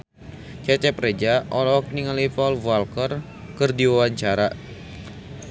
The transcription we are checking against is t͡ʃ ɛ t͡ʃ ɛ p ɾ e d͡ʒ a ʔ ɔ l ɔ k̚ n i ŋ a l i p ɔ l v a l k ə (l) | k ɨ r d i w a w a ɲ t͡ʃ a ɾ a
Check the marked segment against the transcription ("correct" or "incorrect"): incorrect